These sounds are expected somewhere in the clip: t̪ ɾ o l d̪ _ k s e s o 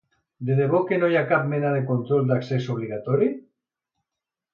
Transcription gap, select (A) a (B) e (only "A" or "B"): A